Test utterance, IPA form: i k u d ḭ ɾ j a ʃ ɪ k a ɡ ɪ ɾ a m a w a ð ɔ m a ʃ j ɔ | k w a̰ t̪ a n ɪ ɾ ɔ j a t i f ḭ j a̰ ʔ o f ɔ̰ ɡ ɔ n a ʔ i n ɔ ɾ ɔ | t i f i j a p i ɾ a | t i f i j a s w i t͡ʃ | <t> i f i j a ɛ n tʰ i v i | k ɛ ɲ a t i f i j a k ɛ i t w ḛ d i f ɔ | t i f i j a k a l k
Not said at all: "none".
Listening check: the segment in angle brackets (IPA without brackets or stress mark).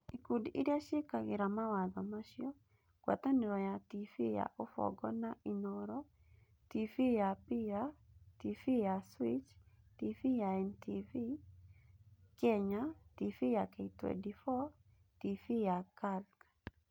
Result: t